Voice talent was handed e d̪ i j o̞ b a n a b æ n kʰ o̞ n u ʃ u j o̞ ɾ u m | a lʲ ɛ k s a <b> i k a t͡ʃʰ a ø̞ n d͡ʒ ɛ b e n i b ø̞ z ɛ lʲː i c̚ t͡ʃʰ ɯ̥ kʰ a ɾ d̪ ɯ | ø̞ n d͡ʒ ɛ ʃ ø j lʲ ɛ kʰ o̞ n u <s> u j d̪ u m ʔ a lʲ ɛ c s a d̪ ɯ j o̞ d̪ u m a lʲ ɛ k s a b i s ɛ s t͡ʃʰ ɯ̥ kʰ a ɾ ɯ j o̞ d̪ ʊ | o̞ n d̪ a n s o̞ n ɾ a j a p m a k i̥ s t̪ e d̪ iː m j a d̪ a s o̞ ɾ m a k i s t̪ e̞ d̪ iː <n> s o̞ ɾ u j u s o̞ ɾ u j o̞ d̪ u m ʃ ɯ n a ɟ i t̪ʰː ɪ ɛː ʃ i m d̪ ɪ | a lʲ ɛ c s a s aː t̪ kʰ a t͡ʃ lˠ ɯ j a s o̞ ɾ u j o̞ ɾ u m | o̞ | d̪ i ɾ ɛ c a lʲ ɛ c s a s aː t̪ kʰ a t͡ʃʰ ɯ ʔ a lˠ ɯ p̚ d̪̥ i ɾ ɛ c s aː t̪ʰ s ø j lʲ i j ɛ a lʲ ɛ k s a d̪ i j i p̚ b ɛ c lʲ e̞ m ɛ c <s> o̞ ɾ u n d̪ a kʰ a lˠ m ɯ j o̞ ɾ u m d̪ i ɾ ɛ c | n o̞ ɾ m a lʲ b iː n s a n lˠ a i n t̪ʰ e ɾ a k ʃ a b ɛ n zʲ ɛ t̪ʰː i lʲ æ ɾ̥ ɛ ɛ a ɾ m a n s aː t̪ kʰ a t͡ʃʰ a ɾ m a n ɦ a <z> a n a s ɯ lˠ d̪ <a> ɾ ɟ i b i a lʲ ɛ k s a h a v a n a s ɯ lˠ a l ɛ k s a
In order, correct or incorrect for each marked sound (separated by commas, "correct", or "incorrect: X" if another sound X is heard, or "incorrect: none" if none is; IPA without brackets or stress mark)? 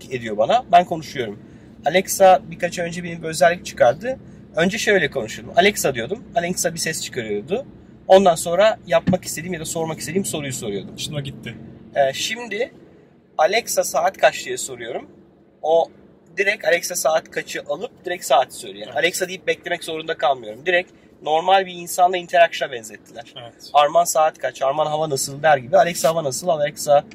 correct, incorrect: ʃ, incorrect: m, incorrect: z, incorrect: v, incorrect: æ